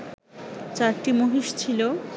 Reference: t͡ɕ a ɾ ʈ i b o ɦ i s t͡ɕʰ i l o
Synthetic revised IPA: t͡ɕ a ɾ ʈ i m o ɦ i ʃ t͡ɕʰ i l o